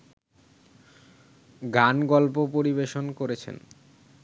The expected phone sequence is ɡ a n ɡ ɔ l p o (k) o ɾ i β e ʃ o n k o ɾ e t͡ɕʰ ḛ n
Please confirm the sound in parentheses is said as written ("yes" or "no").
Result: no